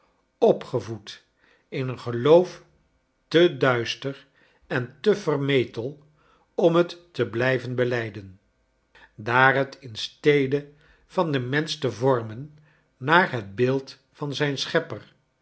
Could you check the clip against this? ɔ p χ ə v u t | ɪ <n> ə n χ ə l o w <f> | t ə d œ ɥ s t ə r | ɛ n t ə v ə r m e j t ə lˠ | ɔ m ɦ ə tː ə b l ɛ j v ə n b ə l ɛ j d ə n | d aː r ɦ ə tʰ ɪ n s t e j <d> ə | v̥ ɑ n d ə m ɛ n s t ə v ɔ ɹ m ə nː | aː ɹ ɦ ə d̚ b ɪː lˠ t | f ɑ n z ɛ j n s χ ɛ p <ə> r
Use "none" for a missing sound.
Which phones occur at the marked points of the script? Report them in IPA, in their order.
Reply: n, f, d, ə

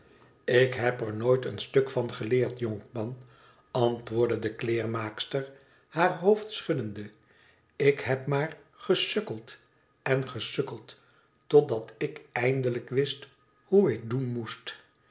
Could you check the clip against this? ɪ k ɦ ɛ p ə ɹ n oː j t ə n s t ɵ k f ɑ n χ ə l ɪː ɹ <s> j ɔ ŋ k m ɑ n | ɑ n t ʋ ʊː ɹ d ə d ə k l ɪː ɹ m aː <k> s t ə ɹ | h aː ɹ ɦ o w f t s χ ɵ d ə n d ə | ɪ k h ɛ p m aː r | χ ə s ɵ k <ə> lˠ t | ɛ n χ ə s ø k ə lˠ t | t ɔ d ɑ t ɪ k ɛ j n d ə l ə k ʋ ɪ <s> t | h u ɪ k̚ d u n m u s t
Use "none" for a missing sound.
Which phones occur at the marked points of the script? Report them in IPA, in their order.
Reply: t, k, ə, s

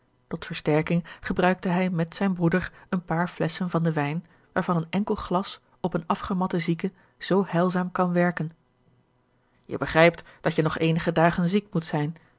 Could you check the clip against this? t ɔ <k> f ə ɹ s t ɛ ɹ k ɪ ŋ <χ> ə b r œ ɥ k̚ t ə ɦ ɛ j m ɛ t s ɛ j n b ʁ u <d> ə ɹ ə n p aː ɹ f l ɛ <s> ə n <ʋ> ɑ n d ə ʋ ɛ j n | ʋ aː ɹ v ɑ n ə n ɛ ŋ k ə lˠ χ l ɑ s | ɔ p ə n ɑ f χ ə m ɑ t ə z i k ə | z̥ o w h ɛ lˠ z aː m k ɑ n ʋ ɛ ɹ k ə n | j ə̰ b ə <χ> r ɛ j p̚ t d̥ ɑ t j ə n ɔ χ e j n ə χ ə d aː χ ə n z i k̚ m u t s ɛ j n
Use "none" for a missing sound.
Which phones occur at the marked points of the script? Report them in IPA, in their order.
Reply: t, χ, d, s, v, χ

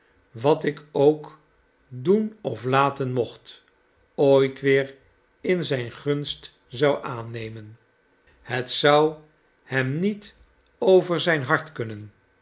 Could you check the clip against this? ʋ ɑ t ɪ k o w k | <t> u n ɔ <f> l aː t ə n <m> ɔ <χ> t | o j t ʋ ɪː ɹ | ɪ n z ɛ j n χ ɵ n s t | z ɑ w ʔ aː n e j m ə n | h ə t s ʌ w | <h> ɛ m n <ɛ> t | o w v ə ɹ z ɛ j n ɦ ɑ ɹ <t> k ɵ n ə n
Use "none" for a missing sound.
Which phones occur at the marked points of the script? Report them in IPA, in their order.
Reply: d, f, m, χ, h, i, t

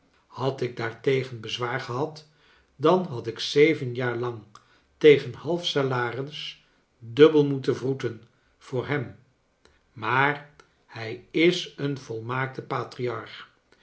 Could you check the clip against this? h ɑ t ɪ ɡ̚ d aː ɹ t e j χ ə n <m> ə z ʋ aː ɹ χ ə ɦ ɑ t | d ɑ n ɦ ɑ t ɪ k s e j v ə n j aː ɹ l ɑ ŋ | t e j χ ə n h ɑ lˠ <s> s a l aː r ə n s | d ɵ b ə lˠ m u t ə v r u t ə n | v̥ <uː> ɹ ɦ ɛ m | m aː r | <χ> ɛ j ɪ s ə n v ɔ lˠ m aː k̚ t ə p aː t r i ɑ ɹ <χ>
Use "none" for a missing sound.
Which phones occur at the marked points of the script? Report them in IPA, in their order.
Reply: b, f, ʊː, h, χ

